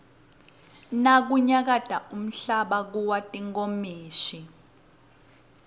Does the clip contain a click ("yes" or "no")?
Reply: no